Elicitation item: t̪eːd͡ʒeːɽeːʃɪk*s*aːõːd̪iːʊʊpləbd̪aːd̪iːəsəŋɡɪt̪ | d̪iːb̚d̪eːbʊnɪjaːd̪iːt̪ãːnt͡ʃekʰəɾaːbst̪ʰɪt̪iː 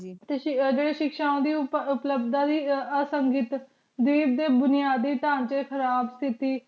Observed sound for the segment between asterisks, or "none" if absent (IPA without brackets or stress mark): ʃ